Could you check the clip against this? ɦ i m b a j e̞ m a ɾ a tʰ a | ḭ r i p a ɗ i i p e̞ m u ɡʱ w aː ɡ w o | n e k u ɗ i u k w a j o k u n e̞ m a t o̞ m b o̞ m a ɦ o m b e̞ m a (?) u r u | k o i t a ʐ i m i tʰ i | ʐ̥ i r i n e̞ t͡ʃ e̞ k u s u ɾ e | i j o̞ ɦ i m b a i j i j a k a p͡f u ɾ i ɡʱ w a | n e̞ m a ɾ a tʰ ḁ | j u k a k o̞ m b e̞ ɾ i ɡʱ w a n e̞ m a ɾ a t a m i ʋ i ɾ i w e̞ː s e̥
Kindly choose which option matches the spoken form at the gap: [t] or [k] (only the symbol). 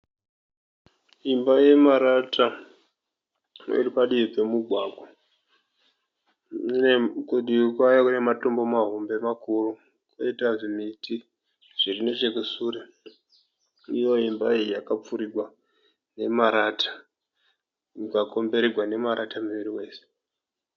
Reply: k